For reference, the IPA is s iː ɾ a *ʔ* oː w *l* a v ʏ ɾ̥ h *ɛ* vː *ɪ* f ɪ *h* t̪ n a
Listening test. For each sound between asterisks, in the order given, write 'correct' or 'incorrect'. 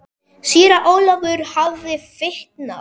correct, correct, incorrect, correct, correct

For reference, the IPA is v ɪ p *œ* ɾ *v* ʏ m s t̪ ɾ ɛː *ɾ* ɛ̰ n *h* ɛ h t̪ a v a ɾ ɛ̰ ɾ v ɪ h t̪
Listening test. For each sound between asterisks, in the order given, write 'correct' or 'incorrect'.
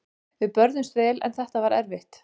correct, incorrect, incorrect, incorrect

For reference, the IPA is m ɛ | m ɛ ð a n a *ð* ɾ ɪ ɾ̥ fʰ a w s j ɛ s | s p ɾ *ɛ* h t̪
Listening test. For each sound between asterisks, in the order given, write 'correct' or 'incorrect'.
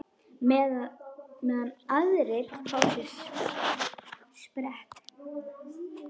correct, correct

